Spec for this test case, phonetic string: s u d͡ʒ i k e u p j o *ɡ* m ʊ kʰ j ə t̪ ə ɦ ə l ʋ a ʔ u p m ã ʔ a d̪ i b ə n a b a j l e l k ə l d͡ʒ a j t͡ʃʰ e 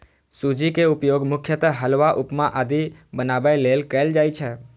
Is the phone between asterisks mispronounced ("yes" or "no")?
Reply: no